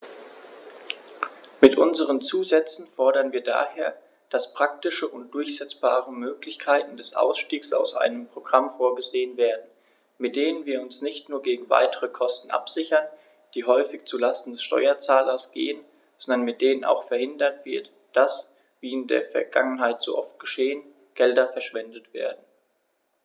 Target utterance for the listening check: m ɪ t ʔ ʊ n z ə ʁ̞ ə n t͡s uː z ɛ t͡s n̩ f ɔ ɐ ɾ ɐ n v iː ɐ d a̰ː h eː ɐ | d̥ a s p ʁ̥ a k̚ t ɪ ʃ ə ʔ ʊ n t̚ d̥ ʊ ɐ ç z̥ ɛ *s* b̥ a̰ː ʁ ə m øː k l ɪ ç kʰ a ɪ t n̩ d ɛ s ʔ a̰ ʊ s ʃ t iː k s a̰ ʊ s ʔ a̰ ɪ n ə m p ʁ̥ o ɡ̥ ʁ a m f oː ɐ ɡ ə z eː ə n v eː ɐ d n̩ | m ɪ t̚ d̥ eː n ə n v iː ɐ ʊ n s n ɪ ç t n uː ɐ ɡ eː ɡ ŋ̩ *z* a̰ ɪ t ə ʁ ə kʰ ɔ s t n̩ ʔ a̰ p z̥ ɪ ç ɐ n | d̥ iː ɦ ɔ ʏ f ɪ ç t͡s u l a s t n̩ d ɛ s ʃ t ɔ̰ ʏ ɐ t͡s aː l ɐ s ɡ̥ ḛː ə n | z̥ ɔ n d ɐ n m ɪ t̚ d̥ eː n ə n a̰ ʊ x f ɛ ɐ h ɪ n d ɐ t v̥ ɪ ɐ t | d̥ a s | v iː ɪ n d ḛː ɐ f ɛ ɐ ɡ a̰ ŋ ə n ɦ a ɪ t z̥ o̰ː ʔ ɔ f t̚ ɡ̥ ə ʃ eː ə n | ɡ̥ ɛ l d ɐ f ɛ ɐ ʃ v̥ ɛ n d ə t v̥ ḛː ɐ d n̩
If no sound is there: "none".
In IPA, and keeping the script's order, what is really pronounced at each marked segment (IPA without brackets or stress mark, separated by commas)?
t͡s, v